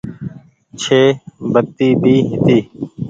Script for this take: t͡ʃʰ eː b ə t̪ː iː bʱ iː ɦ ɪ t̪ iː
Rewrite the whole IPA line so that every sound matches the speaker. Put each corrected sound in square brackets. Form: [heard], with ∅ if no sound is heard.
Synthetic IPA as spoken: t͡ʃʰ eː b ə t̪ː iː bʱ iː ɦ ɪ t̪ iː